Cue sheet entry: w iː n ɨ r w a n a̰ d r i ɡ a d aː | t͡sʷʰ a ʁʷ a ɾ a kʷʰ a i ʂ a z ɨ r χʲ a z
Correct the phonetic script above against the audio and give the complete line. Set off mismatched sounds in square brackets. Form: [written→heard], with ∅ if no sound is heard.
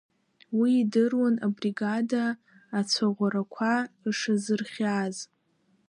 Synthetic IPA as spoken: w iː [n→d] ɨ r w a n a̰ [d→b] r i ɡ a d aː | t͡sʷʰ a ʁʷ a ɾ a kʷʰ a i ʂ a z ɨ r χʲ a z